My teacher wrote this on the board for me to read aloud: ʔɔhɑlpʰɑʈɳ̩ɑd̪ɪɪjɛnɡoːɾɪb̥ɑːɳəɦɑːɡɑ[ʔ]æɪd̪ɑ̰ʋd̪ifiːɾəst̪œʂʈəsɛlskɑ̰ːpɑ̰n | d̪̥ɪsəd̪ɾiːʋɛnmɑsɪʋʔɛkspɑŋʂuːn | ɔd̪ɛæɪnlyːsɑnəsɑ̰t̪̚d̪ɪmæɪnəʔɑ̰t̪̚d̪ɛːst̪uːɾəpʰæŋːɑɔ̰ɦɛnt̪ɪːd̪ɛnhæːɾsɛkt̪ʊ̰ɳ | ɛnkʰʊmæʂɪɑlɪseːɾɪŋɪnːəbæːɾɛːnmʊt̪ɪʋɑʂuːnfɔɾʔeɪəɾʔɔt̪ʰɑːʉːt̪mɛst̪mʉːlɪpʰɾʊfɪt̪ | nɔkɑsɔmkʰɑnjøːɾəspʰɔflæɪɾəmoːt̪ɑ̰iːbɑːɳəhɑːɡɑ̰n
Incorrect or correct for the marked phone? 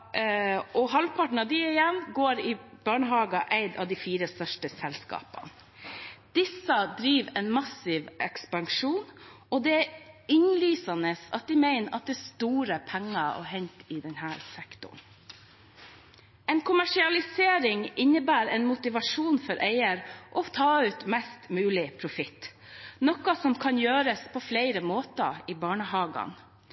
correct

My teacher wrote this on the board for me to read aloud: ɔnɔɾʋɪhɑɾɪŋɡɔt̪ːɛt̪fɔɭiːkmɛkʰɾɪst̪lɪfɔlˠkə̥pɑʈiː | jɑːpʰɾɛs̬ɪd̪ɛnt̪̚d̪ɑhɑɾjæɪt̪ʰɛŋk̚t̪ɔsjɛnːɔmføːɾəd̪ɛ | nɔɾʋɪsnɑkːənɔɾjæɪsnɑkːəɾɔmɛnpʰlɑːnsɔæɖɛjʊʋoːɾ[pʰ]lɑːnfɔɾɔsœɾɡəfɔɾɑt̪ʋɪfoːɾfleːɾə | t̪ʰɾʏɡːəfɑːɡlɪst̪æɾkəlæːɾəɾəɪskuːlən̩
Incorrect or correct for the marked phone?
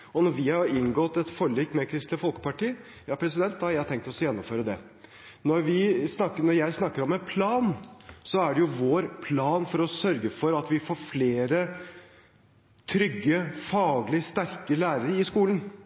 correct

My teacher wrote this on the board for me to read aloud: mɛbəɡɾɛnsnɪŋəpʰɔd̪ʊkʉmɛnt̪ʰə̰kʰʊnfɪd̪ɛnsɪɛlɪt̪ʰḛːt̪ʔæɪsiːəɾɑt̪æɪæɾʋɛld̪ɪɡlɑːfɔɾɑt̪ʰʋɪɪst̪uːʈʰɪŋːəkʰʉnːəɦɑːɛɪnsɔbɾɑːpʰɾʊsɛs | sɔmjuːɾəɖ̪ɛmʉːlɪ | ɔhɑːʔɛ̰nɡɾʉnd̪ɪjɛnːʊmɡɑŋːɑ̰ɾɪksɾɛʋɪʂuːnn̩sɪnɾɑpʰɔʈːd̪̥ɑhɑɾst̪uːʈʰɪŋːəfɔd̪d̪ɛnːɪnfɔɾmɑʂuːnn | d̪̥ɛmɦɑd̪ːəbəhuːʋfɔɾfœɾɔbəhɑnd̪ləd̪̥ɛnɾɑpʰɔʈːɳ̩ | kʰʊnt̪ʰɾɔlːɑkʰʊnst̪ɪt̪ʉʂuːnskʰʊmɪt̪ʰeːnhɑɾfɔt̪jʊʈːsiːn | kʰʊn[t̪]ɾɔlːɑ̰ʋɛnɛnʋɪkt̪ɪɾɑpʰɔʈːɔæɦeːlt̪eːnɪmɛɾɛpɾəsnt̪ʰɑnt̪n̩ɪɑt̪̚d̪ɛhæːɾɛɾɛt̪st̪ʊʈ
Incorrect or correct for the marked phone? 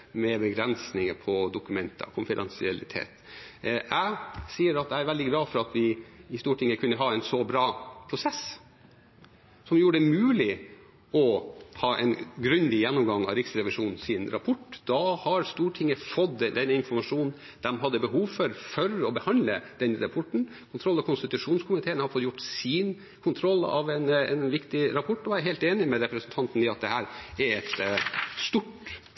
incorrect: t̪ʰ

